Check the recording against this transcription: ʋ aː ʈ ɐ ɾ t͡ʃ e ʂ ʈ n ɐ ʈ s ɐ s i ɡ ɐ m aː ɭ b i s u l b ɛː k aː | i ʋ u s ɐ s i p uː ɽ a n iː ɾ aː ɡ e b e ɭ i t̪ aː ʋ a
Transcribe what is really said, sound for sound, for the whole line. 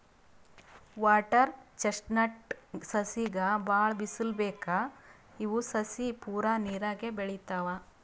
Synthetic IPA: ʋ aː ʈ ɐ ɾ t͡ʃ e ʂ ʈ n ɐ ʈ s ɐ s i ɡ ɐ b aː ɭ b i s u l b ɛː k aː | i ʋ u s ɐ s i p uː ɾ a n iː ɾ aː ɡ e b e ɭ i t̪ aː ʋ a